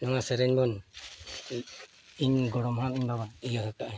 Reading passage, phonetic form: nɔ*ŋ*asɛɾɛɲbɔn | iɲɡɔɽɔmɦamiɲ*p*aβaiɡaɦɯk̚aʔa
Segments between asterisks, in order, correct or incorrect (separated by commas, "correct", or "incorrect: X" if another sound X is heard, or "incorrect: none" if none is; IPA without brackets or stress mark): correct, incorrect: b